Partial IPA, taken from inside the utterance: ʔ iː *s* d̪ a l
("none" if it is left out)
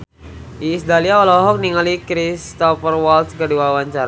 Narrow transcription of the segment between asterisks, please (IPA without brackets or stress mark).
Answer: s